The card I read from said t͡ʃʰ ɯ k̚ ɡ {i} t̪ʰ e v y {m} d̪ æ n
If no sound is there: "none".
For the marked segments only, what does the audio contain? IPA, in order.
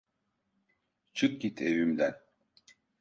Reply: i, m

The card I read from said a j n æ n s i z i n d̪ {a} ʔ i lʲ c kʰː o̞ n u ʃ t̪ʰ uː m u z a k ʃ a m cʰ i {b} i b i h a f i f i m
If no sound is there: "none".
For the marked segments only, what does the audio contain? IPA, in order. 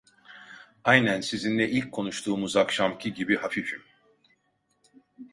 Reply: ɛ, ɟ

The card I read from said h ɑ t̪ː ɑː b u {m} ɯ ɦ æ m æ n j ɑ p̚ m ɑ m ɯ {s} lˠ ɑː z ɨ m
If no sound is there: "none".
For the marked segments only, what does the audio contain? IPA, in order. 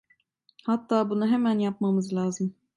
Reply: n, z

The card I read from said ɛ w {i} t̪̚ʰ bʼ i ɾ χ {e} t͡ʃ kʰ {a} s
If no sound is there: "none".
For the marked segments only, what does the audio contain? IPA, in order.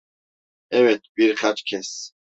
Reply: ɛ, a, ɛ

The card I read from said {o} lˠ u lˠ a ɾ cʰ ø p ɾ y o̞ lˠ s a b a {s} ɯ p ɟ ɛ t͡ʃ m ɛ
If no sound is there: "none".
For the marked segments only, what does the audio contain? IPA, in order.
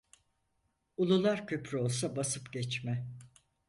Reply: u, s

